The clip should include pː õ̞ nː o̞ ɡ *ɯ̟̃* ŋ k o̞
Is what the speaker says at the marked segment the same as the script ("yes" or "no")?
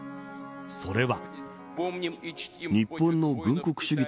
yes